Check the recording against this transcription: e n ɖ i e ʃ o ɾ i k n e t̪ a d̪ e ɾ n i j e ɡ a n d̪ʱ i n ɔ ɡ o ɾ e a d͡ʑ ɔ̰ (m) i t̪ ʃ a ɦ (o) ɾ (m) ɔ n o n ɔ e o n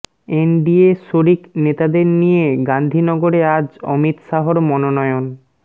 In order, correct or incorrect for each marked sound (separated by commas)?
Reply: correct, correct, correct